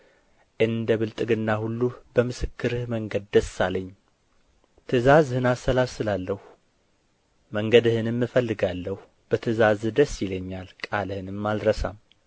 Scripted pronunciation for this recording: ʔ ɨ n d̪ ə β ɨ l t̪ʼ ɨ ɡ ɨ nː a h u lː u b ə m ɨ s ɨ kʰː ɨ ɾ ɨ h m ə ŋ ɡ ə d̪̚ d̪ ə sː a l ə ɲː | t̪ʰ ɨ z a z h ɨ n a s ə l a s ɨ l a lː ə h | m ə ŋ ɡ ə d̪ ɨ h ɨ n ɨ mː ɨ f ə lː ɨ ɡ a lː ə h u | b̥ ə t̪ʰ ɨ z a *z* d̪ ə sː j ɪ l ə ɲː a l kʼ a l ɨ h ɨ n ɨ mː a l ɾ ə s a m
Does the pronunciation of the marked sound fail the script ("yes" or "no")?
no